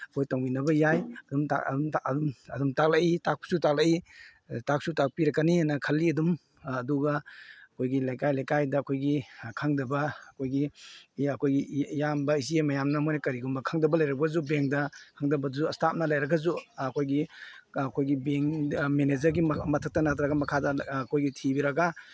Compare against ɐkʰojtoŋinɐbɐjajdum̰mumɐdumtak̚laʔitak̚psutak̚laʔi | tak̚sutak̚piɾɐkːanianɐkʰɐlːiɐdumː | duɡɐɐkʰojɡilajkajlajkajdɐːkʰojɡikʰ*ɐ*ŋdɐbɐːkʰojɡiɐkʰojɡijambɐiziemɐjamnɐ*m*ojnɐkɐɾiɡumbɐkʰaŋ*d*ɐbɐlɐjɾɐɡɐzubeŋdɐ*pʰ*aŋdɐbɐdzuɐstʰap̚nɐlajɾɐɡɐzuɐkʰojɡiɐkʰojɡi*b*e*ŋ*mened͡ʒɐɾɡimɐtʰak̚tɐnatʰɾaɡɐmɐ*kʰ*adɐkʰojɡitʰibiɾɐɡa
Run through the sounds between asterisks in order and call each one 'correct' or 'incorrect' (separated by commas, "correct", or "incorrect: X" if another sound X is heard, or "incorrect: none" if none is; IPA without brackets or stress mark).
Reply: incorrect: a, correct, correct, incorrect: kʰ, correct, correct, correct